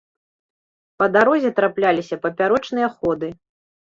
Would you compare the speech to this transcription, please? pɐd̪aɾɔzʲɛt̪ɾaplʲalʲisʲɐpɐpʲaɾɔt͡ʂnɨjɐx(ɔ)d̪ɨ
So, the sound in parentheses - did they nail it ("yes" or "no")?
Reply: yes